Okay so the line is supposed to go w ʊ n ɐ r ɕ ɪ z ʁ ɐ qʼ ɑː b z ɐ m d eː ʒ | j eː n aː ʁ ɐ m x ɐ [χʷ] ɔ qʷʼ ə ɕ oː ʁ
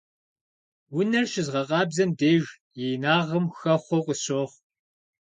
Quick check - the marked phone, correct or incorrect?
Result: correct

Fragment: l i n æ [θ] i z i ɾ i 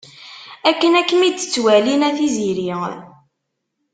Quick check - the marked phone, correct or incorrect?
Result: correct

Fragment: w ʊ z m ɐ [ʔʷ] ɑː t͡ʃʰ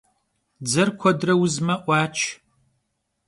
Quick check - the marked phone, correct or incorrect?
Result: correct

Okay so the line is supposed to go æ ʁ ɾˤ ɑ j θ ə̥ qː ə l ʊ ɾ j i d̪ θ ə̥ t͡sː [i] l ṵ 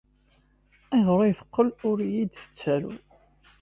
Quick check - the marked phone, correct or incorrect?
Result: incorrect: æ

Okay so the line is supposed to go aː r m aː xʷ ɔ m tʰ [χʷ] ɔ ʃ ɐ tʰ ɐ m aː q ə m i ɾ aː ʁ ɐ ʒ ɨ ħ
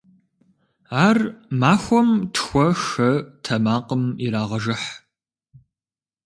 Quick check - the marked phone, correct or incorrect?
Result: incorrect: xʷ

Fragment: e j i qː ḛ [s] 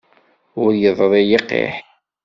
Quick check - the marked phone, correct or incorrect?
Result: incorrect: ħ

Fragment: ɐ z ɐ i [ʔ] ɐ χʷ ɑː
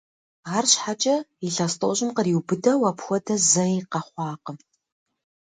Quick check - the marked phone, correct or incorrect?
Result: incorrect: q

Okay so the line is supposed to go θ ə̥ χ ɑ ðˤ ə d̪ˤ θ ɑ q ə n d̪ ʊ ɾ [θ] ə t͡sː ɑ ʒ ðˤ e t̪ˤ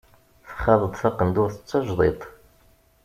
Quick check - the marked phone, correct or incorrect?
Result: correct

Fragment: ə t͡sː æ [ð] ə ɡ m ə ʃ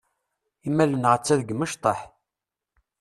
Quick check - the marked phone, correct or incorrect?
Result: correct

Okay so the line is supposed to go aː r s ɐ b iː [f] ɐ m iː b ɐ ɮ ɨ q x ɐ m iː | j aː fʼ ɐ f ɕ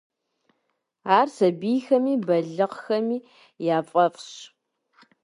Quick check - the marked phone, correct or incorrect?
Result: incorrect: x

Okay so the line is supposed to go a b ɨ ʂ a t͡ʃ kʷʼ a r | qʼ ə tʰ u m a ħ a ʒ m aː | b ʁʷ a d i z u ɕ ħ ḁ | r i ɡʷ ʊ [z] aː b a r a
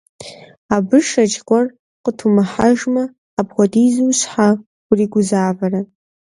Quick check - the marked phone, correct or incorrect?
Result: correct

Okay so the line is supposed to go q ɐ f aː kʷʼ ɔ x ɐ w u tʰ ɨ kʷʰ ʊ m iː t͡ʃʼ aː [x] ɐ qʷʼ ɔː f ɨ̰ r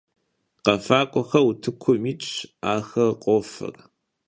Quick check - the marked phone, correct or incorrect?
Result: correct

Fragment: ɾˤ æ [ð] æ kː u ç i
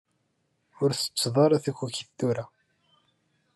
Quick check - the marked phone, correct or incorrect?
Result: incorrect: θ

